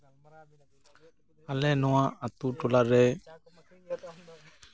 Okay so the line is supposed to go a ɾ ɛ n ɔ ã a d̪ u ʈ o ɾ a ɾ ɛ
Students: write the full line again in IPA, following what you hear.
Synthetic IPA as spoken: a l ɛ n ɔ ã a t̪ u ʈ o l a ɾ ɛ